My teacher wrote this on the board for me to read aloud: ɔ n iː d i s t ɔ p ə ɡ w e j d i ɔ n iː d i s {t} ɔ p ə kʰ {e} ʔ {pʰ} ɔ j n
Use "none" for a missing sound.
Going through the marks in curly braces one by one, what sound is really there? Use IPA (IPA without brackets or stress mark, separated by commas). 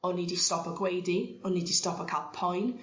t, a, pʰ